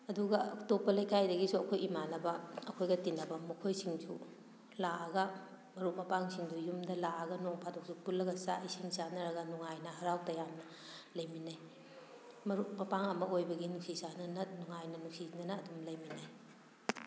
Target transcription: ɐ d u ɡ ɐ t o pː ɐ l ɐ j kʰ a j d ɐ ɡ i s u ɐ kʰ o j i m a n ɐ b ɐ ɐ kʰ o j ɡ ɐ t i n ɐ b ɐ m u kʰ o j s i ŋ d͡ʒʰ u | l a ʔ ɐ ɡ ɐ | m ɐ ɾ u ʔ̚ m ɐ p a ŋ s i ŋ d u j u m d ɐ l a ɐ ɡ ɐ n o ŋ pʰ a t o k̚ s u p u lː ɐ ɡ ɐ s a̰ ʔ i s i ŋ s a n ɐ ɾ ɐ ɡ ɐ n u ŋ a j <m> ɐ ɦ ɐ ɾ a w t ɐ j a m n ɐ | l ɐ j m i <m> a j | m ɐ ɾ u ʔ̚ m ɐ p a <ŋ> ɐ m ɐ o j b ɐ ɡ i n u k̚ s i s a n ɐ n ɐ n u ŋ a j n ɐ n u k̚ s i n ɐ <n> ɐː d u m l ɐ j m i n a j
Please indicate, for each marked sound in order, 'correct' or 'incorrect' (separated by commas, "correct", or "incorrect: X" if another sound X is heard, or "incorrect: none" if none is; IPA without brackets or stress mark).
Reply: incorrect: n, incorrect: n, correct, correct